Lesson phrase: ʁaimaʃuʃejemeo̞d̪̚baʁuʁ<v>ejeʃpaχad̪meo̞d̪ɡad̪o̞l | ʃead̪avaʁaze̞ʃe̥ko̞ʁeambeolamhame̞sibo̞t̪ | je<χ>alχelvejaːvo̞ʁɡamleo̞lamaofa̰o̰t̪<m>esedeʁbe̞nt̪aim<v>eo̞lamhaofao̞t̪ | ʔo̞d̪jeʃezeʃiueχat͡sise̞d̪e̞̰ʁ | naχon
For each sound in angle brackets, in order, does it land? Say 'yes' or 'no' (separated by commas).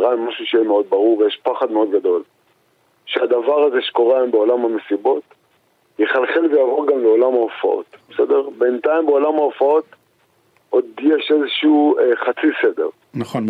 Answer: yes, yes, no, no